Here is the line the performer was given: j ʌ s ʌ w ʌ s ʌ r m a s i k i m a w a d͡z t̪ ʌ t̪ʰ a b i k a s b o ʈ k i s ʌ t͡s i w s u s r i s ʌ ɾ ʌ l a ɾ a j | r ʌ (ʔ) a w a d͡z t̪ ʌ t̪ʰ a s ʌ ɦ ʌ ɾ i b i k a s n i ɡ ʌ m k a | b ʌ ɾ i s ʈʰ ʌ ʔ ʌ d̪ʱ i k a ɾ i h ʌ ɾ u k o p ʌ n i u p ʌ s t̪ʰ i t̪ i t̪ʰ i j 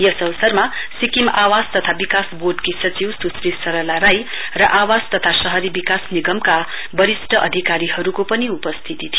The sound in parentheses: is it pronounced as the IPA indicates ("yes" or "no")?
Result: yes